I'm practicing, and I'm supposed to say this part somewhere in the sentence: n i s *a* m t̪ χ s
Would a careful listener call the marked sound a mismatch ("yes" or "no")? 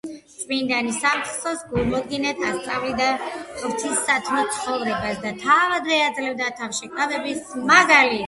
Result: no